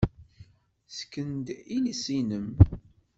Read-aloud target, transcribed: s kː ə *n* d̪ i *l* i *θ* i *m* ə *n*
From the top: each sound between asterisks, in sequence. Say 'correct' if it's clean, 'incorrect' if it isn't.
correct, correct, incorrect, incorrect, incorrect

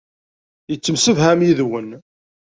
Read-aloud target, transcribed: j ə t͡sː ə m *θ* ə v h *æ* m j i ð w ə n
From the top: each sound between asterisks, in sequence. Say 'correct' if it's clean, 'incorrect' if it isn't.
incorrect, correct

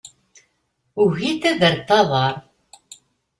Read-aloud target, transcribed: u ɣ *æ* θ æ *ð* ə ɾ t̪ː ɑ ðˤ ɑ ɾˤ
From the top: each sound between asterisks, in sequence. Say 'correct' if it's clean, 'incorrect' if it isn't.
incorrect, correct

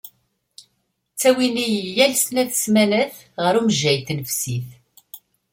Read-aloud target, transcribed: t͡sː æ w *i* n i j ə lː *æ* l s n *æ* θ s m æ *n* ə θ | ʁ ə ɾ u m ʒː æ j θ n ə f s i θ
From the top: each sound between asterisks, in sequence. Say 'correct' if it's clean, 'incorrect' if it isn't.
correct, correct, correct, correct

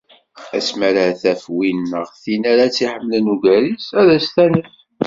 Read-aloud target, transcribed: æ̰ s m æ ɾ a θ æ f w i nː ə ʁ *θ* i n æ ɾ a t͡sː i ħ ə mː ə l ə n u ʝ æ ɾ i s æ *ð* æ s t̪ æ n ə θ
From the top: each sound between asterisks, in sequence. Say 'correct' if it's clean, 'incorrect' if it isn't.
correct, correct

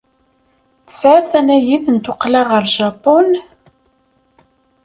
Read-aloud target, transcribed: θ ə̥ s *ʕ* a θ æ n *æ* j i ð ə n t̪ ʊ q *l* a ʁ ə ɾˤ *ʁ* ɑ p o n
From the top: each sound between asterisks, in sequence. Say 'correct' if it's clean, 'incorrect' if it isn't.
correct, correct, correct, incorrect

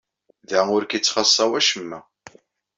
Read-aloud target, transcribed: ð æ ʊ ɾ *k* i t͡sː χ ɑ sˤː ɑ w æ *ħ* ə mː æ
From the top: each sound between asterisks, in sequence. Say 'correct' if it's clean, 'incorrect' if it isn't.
correct, incorrect

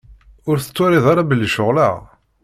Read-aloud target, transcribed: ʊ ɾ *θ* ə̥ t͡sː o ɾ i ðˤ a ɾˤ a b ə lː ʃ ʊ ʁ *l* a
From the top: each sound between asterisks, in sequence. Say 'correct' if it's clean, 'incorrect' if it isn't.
correct, correct

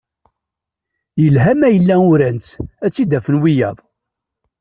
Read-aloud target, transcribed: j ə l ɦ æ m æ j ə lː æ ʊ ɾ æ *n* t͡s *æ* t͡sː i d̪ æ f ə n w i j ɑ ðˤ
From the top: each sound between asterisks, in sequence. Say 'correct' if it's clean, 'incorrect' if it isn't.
correct, correct

